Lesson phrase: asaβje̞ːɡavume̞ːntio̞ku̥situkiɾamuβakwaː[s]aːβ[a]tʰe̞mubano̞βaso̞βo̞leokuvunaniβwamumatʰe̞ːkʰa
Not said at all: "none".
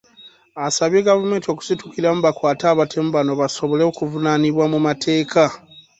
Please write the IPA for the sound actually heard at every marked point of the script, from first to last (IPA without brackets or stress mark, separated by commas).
t, a